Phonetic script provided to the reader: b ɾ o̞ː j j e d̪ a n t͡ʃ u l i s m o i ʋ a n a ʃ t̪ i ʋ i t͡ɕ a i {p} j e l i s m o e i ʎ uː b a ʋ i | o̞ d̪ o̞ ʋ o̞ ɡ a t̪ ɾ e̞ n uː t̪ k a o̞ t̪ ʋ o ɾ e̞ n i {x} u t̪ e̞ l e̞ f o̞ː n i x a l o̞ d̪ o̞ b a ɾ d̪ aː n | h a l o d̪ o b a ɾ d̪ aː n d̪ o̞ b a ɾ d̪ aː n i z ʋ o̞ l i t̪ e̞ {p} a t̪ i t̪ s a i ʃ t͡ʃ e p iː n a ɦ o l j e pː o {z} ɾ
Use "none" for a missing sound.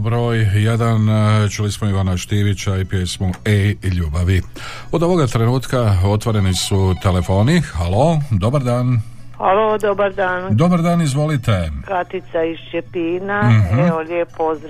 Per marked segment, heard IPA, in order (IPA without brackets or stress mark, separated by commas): p, s, k, z